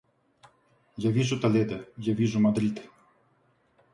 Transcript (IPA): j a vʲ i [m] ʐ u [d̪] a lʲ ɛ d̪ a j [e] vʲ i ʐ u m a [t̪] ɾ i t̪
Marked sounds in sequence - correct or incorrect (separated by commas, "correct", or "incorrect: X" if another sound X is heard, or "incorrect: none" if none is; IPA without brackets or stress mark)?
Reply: incorrect: none, incorrect: t̪, incorrect: a, incorrect: d̪